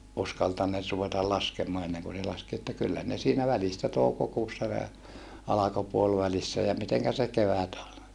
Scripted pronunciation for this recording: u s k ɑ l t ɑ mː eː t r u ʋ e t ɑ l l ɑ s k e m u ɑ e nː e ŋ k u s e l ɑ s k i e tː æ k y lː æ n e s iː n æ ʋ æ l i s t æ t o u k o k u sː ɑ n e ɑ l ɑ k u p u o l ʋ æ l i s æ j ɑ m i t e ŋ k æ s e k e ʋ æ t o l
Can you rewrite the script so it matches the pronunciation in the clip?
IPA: u s k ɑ l t ɑ nː eː t r u ʋ e t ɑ l l ɑ s k e m o ɑ e nː e ŋ k u s e l ɑ s k i e tː æ k y lː æ n e s iː n æ ʋ æ l i s t æ t o u k o k uː sː ɑ n e ɑ l ɑ k o p u o l ʋ æ l i sː æ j ɑ m i t e ŋ k æ s e k e ʋ æ t o l